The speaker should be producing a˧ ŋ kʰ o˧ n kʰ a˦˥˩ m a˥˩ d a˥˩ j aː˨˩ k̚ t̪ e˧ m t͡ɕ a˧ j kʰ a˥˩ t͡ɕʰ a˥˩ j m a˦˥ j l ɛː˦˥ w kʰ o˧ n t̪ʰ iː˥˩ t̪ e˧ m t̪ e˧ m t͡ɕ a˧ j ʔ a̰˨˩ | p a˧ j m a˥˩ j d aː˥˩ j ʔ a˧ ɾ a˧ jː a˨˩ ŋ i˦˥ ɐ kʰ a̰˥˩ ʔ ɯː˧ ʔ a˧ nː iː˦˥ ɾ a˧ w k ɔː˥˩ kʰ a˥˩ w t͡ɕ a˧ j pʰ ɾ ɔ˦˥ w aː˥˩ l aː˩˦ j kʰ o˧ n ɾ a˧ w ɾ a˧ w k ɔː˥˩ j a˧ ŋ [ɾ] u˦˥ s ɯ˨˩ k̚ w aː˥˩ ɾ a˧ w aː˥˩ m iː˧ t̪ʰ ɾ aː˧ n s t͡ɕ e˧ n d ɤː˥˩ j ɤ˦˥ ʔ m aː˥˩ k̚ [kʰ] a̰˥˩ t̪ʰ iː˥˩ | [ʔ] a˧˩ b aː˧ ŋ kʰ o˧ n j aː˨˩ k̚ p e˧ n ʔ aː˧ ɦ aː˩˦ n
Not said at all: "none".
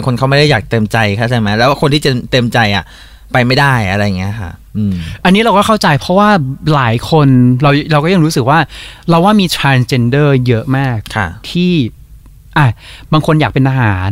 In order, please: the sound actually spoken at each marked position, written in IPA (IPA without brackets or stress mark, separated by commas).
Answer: ɾ, kʰ, ʔ